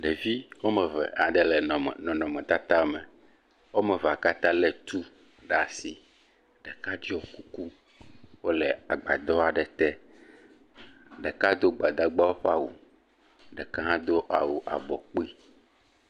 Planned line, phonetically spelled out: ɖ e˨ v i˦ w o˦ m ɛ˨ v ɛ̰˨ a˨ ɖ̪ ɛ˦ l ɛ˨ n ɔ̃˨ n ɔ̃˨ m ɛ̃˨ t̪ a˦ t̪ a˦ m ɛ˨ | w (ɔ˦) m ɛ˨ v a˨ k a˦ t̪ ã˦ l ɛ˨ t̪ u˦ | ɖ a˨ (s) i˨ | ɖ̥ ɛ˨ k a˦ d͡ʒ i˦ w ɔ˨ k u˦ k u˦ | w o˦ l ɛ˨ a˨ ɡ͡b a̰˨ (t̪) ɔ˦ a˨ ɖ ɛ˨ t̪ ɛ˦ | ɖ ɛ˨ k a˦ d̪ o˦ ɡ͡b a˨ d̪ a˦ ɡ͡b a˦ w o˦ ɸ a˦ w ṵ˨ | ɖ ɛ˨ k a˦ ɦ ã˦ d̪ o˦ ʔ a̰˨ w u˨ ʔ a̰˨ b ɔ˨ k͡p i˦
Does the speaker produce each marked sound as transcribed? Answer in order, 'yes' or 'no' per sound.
no, yes, no

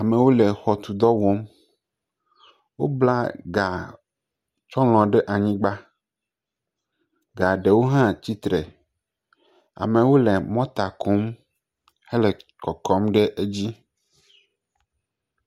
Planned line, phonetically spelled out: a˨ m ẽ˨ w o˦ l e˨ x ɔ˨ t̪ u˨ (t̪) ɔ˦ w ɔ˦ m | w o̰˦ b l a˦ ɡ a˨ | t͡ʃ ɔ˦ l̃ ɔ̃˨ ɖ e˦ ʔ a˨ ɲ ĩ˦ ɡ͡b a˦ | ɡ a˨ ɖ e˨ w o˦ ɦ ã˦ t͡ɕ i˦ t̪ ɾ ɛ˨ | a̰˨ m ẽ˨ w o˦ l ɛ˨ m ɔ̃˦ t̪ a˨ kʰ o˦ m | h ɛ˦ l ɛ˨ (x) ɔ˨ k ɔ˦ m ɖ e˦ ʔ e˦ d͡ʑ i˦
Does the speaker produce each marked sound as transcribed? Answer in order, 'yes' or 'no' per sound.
no, no

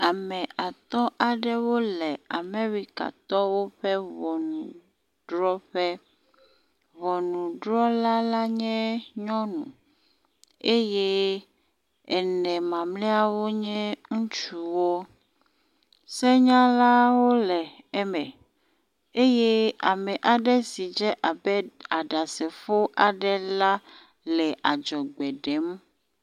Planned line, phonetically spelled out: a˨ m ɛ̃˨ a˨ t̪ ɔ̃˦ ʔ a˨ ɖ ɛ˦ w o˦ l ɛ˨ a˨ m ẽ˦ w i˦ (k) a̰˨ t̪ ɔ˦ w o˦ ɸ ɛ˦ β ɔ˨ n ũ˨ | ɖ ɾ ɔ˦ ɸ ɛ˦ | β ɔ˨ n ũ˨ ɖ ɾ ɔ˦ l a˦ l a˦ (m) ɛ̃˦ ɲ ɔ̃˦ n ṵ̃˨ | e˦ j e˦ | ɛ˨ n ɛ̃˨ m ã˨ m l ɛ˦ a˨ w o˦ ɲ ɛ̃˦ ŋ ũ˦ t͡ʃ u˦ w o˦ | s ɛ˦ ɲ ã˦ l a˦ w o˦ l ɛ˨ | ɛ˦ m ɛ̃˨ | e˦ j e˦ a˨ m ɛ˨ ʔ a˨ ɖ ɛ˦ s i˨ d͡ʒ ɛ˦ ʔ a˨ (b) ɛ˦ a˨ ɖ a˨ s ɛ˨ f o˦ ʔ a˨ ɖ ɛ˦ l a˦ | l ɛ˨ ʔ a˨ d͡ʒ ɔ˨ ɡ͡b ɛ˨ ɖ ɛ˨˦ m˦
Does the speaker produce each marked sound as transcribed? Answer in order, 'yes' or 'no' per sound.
yes, no, yes

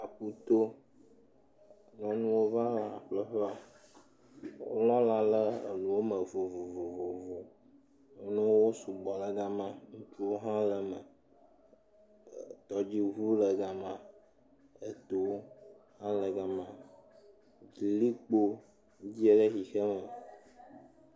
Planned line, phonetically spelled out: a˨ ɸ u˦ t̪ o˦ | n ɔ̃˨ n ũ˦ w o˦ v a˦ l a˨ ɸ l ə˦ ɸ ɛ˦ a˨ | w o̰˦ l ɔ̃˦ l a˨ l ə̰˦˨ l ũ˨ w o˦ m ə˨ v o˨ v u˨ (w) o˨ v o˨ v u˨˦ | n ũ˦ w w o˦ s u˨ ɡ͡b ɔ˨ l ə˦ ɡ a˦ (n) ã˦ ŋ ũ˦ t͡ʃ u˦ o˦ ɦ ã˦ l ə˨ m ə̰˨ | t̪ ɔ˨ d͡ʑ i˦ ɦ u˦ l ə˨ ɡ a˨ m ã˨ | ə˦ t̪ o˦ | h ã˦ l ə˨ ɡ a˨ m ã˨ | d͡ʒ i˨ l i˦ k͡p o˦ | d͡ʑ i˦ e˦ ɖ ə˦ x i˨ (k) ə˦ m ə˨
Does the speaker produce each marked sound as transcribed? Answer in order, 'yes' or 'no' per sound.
no, no, no

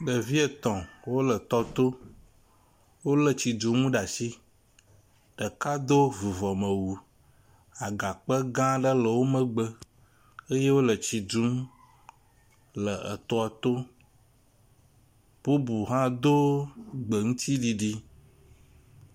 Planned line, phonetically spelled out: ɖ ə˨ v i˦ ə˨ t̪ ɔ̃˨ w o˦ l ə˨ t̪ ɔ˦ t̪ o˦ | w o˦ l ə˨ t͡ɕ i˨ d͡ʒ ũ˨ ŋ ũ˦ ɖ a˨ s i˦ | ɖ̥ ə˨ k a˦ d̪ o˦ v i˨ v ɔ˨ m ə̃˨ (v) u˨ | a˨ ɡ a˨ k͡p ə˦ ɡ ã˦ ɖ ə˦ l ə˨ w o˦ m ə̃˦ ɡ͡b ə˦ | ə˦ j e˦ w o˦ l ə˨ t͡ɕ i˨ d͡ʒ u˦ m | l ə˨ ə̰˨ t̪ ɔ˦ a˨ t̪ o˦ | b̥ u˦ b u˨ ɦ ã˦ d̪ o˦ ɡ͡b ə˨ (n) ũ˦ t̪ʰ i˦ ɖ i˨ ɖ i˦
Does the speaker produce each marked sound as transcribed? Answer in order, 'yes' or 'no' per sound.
no, no

